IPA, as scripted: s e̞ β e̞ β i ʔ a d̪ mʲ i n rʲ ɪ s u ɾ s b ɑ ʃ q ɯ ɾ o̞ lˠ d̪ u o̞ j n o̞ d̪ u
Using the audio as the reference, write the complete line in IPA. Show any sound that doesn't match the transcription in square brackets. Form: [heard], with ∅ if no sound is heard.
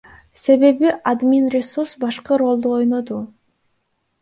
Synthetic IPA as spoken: s e̞ β e̞ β i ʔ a d̪ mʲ i n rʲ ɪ s u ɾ s b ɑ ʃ q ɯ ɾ o̞ lˠ d̪ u o̞ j n o̞ d̪ u